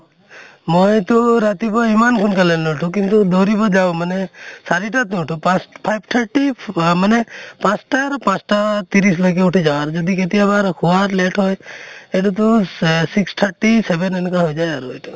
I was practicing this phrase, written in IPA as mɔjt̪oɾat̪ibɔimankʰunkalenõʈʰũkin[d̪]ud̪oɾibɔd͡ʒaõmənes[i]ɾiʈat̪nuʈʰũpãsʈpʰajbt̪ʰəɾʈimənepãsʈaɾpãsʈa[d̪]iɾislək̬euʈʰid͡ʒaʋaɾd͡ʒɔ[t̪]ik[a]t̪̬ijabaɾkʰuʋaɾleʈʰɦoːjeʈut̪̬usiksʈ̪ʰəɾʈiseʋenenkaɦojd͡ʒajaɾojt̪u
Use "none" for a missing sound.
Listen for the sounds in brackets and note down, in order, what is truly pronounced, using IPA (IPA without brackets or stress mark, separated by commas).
t̪, a, t̪, d̪, e